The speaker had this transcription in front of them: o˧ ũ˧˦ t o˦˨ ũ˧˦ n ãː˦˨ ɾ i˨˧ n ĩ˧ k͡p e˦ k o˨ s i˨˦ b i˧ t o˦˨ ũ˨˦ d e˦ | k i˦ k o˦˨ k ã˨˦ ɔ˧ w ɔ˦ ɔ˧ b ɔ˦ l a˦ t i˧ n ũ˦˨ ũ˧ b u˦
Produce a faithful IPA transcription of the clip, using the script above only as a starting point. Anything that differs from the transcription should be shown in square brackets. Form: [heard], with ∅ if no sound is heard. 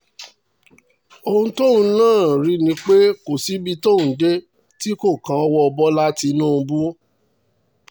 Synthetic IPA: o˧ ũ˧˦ t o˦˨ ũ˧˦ n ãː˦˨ ɾ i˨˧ n ĩ˧ k͡p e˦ k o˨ s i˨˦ b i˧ t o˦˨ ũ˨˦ d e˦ | [t] i˦ k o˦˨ k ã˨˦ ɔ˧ w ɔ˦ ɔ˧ b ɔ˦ l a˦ t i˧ n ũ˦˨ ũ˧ b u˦